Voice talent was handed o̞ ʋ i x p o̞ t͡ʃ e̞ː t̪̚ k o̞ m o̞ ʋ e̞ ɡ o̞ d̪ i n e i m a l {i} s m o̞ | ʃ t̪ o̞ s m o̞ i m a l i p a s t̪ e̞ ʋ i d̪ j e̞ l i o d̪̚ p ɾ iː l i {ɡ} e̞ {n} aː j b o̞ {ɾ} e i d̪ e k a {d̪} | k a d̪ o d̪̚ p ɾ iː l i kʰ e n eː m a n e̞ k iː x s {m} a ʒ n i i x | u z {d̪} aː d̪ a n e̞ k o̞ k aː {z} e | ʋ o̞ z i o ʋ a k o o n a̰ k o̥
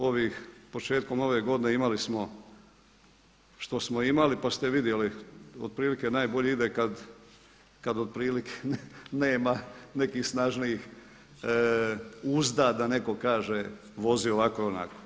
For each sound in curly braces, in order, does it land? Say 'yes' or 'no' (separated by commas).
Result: yes, no, yes, no, yes, no, yes, no